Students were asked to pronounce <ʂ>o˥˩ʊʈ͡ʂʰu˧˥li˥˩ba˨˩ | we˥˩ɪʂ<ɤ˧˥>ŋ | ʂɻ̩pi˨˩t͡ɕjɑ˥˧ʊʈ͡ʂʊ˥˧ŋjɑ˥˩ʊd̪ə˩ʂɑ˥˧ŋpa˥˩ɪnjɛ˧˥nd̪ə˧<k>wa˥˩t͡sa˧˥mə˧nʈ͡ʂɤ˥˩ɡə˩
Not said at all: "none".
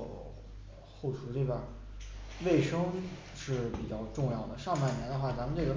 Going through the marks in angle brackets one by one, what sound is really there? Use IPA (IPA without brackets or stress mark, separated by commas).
x, ɤ˥, x